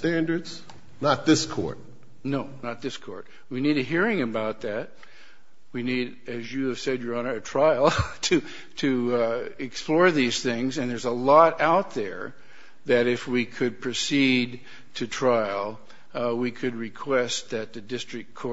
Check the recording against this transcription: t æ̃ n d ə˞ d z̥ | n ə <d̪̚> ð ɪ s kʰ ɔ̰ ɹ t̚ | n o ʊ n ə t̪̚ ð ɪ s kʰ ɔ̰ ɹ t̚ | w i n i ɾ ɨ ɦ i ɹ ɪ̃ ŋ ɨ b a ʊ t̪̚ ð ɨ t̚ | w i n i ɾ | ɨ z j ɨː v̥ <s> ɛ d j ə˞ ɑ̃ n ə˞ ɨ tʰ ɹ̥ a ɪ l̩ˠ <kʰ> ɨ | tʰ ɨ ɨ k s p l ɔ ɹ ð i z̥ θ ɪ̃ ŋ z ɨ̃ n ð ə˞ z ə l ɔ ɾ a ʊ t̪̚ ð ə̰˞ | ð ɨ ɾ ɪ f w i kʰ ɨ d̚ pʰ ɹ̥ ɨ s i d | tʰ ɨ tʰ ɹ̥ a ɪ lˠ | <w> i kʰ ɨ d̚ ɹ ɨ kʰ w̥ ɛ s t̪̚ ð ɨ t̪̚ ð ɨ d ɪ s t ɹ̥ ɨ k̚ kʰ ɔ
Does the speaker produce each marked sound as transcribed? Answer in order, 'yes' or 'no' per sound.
no, yes, no, yes

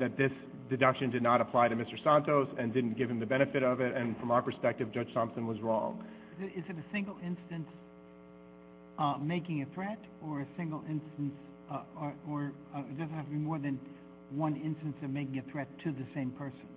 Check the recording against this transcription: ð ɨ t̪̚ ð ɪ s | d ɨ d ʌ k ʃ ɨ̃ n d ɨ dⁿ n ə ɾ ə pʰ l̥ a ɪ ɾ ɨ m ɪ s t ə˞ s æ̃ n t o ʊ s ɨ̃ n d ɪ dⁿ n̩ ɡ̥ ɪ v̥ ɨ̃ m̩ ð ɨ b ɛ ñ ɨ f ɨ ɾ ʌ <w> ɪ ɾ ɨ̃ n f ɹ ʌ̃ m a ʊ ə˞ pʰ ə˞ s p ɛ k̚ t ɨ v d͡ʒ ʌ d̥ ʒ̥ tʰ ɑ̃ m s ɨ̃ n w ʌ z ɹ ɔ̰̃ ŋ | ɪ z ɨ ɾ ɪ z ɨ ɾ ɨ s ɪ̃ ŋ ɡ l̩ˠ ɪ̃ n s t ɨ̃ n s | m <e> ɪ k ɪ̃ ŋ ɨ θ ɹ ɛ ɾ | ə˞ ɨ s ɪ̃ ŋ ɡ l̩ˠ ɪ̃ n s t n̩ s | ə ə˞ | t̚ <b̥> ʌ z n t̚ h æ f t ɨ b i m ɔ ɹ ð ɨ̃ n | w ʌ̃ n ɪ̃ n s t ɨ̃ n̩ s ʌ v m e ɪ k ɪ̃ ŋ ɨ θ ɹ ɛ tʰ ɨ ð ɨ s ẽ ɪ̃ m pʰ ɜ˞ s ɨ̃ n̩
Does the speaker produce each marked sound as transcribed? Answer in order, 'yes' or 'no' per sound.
no, yes, no

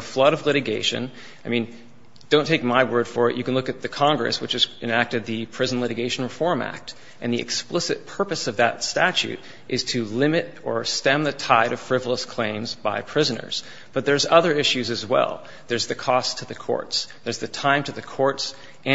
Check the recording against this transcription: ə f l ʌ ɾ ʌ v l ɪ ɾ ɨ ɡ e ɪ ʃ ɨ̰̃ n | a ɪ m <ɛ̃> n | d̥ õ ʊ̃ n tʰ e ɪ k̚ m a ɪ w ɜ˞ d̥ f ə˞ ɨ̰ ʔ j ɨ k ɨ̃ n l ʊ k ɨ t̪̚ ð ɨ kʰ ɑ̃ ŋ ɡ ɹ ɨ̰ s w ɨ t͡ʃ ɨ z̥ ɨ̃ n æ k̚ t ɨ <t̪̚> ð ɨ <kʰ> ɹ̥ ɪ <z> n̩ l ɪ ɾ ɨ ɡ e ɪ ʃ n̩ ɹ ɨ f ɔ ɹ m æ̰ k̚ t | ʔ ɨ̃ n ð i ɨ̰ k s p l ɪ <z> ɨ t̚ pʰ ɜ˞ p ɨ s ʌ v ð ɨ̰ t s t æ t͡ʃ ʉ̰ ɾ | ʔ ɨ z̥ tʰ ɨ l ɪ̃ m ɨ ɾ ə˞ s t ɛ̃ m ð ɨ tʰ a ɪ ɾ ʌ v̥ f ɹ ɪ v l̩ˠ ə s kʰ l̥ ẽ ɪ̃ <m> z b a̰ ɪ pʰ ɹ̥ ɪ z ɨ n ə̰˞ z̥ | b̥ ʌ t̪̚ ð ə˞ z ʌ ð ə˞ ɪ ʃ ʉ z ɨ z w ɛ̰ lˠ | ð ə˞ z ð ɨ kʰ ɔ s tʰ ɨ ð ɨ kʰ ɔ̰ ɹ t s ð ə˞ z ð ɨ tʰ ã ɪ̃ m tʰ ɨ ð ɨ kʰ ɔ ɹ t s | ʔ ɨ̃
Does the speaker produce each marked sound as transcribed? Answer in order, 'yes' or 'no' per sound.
no, no, no, yes, no, yes

